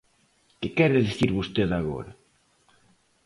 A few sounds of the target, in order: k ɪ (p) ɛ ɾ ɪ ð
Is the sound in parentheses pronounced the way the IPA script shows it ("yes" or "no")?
no